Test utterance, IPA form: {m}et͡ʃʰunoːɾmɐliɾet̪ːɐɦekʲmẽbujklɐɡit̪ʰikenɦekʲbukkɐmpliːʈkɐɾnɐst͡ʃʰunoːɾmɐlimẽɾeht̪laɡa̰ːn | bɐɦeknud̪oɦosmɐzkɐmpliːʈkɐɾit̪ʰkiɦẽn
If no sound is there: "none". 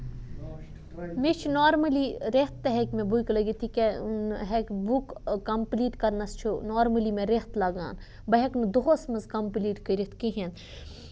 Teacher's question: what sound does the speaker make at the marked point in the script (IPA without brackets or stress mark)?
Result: m